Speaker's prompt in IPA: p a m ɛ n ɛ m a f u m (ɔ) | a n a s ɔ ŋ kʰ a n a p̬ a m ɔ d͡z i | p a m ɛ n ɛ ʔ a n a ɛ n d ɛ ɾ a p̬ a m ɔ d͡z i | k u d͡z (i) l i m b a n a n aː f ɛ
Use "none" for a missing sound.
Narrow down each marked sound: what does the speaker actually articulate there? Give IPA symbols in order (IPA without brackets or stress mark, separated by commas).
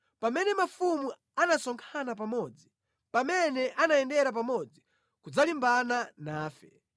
u, a